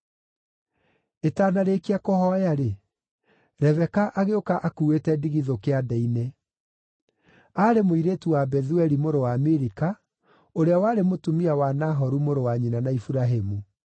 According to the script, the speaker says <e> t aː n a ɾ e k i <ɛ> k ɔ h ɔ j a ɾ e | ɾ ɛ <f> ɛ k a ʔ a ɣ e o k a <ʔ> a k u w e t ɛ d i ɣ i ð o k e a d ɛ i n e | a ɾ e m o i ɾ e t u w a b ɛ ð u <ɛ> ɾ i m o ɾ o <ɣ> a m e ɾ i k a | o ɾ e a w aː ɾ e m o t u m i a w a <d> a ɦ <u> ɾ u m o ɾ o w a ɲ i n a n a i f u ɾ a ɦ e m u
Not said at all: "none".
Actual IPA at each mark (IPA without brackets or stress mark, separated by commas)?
e, a, v, ʔ, ɛ, w, n, ɔ